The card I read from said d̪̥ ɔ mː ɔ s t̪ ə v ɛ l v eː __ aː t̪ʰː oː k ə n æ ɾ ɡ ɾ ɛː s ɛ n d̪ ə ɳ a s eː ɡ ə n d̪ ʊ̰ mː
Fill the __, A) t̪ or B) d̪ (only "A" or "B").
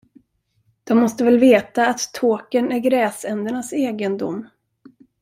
A